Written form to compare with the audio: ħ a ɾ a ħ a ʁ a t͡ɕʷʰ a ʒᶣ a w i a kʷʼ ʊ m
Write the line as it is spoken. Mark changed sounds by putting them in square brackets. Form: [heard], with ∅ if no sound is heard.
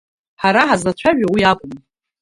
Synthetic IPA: ħ a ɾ a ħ a [z] a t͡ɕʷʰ a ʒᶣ a w i a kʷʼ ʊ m